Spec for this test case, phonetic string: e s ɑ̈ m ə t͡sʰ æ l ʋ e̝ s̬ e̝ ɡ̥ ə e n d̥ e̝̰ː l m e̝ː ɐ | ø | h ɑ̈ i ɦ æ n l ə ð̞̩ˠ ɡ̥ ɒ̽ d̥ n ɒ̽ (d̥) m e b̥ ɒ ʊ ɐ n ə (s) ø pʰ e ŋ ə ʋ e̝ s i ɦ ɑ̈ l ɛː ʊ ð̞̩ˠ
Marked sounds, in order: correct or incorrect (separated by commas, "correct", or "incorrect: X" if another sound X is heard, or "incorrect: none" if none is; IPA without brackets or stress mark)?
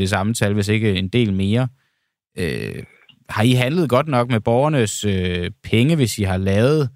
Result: incorrect: ɡ̥, correct